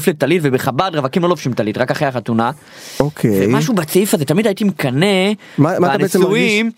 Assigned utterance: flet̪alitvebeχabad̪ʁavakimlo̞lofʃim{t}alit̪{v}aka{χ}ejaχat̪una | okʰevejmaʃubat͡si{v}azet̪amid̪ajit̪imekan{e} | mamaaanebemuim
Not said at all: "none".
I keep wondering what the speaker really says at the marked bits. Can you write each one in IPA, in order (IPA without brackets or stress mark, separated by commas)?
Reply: t, ʁ, χ, f, e